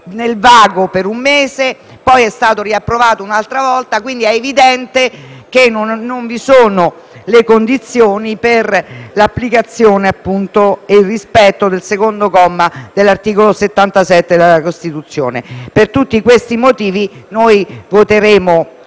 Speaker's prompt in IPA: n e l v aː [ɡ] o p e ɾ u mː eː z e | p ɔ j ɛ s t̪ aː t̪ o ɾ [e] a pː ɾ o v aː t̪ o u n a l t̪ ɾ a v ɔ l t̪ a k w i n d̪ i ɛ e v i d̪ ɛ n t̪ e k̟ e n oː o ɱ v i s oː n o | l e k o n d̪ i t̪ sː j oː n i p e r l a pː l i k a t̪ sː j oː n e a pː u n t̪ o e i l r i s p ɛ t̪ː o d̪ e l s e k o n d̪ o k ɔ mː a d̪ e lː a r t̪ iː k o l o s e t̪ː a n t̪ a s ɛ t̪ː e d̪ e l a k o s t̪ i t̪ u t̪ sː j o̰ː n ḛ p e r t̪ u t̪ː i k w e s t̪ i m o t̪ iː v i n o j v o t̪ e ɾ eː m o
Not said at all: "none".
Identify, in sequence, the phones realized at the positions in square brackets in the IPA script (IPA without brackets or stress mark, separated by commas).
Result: ɡ, i